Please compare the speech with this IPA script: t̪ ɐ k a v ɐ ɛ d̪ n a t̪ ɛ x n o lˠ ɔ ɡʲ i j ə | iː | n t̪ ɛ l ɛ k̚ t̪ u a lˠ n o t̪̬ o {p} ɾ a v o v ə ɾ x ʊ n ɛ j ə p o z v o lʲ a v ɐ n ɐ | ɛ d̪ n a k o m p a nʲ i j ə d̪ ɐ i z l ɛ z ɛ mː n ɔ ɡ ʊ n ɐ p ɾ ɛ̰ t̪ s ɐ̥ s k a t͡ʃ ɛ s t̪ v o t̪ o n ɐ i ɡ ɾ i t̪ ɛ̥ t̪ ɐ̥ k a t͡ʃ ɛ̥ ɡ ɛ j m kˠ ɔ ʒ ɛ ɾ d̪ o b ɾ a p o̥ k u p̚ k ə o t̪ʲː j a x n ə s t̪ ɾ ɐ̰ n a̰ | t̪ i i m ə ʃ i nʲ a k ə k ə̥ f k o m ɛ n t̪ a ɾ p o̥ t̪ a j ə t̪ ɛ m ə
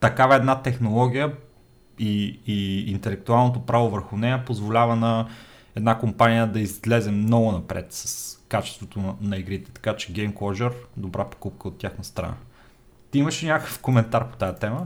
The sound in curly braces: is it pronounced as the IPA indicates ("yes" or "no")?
yes